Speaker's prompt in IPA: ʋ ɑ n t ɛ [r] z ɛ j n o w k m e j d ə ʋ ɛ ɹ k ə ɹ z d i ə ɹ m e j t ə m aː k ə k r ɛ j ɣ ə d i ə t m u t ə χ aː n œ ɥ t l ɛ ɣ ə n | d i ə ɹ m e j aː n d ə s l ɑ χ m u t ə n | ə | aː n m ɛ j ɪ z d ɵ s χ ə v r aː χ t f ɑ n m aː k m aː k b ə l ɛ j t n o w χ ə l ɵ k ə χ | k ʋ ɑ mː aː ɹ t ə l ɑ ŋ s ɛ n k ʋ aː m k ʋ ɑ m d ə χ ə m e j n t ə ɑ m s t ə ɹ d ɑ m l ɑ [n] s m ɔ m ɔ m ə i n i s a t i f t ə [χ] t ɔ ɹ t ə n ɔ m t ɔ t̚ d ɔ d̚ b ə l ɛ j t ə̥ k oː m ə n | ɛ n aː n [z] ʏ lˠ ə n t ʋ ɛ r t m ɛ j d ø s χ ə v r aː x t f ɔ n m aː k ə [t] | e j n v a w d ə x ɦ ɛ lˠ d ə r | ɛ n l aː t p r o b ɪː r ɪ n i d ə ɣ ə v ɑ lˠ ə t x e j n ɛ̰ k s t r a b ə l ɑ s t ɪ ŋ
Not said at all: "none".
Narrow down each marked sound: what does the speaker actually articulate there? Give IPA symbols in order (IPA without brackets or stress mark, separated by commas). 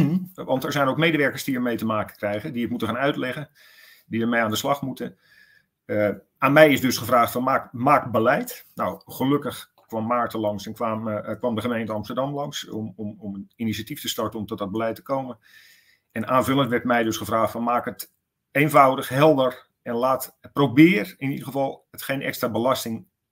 ɹ, ŋ, s, v, t